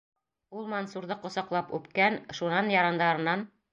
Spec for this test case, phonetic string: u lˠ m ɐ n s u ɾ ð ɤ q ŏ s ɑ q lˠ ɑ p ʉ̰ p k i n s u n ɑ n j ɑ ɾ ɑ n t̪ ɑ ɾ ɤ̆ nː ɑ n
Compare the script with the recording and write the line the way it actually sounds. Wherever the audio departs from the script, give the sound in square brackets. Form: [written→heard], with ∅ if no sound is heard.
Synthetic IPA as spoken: u lˠ m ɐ n s u ɾ ð ɤ q ŏ s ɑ q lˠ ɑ p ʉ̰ p k [i→æ] n [s→ʃ] u n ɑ n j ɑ ɾ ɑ n [t̪→d̪] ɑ ɾ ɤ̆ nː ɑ n

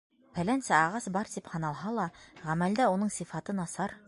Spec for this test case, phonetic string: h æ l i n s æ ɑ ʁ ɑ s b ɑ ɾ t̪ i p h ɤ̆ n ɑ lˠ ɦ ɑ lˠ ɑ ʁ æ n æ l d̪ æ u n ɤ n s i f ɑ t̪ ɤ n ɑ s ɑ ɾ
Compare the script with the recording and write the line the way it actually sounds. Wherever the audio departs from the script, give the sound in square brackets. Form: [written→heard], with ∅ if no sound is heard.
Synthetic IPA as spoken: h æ l [i→æ] n s æ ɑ ʁ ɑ s b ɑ ɾ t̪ i p h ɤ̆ n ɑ lˠ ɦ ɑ lˠ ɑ ʁ æ [n→m] æ l d̪ æ u n ɤ [n→ɴ] s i f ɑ t̪ ɤ n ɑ s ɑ ɾ

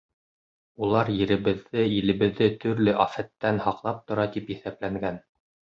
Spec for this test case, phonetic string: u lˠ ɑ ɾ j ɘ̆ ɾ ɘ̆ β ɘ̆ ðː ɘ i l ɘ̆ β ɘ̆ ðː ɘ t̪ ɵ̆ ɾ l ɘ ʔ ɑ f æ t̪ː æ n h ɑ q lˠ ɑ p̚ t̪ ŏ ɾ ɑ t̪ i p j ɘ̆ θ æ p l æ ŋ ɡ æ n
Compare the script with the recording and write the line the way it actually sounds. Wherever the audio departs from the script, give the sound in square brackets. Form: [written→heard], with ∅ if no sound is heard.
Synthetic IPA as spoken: u lˠ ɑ ɾ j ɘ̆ ɾ ɘ̆ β ɘ̆ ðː ɘ i l ɘ̆ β ɘ̆ ðː ɘ t̪ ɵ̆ ɾ l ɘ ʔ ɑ f æ t̪ː æ n h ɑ q lˠ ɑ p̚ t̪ ŏ ɾ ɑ t̪ i p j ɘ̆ θ æ p l æ ŋ ɡ æ n

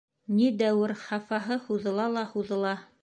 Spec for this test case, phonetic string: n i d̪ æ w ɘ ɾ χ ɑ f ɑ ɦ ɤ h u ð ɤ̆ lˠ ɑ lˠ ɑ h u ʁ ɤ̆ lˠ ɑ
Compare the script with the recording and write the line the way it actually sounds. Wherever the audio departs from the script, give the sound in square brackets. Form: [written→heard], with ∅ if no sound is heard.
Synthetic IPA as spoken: n i d̪ æ w ɘ ɾ χ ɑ f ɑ ɦ ɤ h u ð ɤ̆ lˠ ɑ lˠ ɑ h u [ʁ→ð] ɤ̆ lˠ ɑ

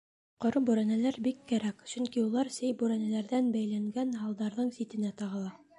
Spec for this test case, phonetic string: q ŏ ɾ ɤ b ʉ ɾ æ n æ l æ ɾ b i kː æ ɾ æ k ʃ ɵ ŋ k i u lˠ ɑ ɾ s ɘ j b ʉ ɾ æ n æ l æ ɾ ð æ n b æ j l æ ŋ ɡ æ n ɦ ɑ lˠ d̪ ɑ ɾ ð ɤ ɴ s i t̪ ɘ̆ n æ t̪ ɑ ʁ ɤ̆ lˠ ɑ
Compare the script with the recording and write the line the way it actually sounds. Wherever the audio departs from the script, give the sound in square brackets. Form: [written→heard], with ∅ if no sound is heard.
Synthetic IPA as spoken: q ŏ ɾ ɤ b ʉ ɾ æ n æ l æ ɾ b i kː æ ɾ æ k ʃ ɵ ŋ k i u lˠ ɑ ɾ s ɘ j b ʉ ɾ æ n æ l æ ɾ ð æ n b æ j l æ ŋ ɡ æ n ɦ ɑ lˠ d̪ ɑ ɾ ð ɤ ɴ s i t̪ ɘ̆ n æ t̪ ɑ ʁ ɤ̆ lˠ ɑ

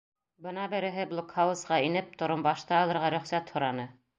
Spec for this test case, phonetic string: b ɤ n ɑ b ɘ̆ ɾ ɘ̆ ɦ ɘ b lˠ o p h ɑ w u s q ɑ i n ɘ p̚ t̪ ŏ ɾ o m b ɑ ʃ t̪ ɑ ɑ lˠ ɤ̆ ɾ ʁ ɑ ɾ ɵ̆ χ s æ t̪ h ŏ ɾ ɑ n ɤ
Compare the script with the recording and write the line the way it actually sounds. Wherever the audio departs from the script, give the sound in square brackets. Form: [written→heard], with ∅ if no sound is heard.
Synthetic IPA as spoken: b ɤ n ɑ b ɘ̆ ɾ ɘ̆ ɦ ɘ b lˠ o [p→k] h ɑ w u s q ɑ i n ɘ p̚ t̪ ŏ ɾ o m b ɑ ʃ t̪ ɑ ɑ lˠ ɤ̆ ɾ ʁ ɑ ɾ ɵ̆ χ s æ t̪ h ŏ ɾ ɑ n ɤ

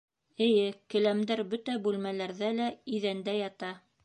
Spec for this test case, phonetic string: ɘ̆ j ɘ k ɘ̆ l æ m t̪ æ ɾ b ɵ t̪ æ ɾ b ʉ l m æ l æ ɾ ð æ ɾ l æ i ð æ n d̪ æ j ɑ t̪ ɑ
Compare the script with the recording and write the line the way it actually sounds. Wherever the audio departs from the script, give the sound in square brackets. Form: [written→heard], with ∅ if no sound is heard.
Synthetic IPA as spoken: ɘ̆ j ɘ k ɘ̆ l æ m [t̪→d̪] æ ɾ b ɵ t̪ æ [ɾ→∅] b ʉ l m æ l æ ɾ ð æ [ɾ→∅] l æ i ð æ n d̪ æ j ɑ t̪ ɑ

